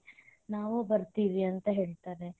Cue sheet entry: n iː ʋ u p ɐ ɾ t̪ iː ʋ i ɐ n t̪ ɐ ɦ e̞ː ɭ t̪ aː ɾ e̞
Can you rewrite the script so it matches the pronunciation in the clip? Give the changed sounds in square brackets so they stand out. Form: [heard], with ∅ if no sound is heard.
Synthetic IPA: n [aː] ʋ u [b] ɐ ɾ t̪ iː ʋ i ɐ n t̪ ɐ ɦ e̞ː ɭ t̪ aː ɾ e̞